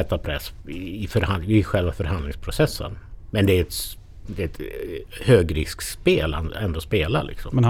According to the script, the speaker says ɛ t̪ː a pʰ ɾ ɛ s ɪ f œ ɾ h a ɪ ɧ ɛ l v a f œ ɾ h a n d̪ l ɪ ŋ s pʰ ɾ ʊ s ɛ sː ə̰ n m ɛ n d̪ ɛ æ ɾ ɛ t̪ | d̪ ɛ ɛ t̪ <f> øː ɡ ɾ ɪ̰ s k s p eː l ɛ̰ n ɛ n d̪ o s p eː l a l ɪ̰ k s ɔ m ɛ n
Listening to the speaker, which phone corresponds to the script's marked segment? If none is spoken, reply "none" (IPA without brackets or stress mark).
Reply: h